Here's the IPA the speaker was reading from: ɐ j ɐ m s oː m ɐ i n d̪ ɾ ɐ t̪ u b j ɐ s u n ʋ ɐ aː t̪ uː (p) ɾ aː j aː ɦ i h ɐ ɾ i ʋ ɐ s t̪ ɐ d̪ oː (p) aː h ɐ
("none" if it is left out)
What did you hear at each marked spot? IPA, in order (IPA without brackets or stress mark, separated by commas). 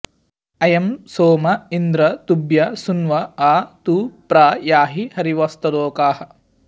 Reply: p, k